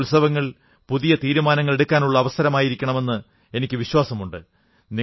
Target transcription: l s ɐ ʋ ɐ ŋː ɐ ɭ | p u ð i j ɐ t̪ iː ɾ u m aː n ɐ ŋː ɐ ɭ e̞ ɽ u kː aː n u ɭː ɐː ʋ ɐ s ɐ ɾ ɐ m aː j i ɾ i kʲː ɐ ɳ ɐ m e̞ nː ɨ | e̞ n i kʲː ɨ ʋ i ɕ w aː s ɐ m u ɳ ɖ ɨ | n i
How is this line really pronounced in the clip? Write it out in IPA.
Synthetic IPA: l s ɐ ʋ ɐ ŋː ɐ ɭ | p u ð i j ɐ t̪ iː ɾ u m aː n ɐ ŋː ɐ ɭ e̞ ɽ u kː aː n u ɭː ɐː ʋ ɐ s ɐ ɾ ɐ m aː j i ɾ i kʲː ɐ ɳ ɐ m e̞ nː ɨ | e̞ n i kʲː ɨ ʋ i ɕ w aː s ɐ m u ɳ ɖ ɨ | n i